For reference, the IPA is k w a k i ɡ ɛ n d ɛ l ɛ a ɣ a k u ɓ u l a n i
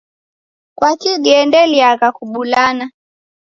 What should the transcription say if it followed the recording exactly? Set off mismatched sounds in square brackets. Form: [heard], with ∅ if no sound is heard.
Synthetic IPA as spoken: k w a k i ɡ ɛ n d ɛ l [i] a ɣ a k u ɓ u l a n [a]